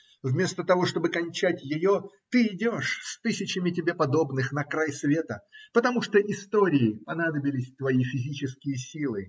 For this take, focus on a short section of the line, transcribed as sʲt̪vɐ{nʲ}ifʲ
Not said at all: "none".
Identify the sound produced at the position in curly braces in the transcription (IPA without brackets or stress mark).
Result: none